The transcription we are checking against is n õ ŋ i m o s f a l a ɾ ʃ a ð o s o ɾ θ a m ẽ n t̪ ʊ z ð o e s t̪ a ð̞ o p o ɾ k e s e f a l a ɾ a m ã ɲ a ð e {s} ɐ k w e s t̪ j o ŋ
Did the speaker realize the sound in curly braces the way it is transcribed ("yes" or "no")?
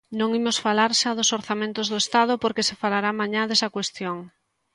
yes